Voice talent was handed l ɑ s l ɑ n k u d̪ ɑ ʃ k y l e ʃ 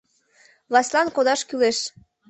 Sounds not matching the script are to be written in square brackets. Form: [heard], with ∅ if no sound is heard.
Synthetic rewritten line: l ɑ s l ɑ n k [o] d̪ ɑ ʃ k y l e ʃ